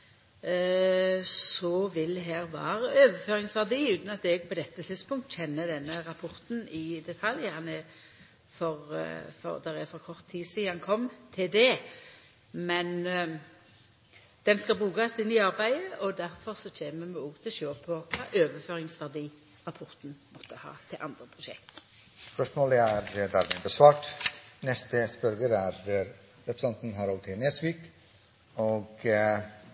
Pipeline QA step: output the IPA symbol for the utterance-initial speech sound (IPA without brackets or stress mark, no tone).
s